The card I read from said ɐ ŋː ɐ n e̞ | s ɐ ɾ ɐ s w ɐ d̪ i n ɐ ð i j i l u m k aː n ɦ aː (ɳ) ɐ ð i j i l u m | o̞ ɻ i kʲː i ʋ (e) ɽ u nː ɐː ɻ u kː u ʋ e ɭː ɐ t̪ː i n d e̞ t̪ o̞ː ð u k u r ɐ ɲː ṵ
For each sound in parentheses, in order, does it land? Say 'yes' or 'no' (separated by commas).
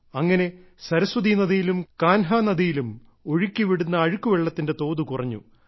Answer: no, no